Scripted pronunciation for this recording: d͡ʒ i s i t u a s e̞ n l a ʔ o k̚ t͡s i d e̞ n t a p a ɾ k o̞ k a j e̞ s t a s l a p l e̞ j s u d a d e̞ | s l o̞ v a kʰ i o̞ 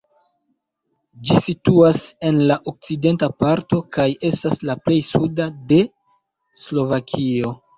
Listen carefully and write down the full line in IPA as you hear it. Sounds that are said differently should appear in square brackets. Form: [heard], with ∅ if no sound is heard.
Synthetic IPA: d͡ʒ i s i t u a s e̞ n l a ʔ o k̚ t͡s i d e̞ n t a p a ɾ [t] o̞ k a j e̞ s t a s l a p l e̞ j s u d a d e̞ | s l o̞ v a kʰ i o̞